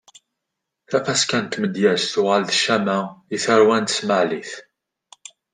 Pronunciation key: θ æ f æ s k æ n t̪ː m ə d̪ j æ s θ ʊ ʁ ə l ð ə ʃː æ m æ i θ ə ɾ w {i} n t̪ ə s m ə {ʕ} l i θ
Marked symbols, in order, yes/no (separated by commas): no, yes